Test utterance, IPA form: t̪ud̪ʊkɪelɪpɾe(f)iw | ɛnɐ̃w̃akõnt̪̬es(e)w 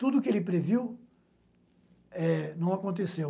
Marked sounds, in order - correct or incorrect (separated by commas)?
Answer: incorrect, correct